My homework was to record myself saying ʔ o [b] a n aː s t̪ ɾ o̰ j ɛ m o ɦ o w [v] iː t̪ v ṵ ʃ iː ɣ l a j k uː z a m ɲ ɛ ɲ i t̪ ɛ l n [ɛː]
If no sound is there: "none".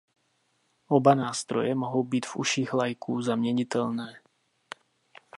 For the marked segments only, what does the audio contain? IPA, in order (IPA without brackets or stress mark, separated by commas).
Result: b, b, ɛː